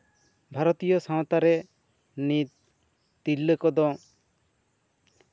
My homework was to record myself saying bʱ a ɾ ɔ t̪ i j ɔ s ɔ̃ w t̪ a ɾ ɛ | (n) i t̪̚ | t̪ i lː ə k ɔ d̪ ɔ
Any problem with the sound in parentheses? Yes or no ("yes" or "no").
no